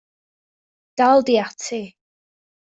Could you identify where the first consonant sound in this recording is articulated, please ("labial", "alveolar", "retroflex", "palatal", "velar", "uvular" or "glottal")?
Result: alveolar